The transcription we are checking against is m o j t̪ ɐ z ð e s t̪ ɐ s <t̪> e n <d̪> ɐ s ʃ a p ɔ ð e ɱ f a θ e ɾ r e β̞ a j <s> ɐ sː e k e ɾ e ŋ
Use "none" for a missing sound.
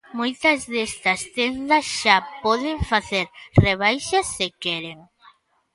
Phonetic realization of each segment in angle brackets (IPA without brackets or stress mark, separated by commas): t̪, d̪, ʃ